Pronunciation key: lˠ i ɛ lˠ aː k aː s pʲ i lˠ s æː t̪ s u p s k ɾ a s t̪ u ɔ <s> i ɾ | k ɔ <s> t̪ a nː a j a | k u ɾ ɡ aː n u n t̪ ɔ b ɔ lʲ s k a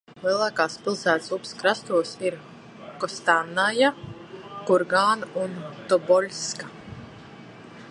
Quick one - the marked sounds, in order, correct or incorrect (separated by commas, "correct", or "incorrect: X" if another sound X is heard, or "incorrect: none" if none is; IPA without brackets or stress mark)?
correct, correct